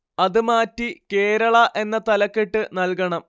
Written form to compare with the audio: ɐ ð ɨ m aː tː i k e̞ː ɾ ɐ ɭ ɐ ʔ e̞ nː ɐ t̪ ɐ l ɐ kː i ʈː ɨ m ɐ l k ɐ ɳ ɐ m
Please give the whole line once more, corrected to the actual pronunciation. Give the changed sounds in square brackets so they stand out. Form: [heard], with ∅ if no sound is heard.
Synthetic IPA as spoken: ɐ ð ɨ m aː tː i k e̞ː ɾ ɐ ɭ ɐ ʔ e̞ nː ɐ t̪ ɐ l ɐ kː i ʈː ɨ [n] ɐ l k ɐ ɳ ɐ m